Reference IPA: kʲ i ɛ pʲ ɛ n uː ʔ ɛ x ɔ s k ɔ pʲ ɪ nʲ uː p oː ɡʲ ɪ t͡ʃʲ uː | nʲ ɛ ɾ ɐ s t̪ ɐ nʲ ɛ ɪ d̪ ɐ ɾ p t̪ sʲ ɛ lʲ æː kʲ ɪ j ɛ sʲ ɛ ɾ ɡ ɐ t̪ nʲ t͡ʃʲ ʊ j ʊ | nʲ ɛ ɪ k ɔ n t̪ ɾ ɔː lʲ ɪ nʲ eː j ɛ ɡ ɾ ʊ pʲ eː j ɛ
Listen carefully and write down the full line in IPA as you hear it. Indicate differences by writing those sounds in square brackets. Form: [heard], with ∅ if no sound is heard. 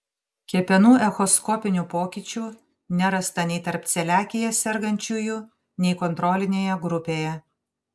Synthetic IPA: kʲ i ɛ pʲ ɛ n uː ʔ ɛ x ɔ s k ɔ pʲ ɪ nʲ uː p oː [kʲ] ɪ t͡ʃʲ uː | nʲ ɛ ɾ ɐ s t̪ ɐ nʲ ɛ ɪ [t̪] ɐ ɾ p t̪ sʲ ɛ lʲ æː kʲ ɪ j ɛ sʲ ɛ ɾ ɡ ɐ [∅] nʲ t͡ʃʲ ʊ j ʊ | nʲ ɛ ɪ k ɔ n t̪ ɾ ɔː lʲ ɪ nʲ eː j ɛ ɡ ɾ ʊ pʲ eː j ɛ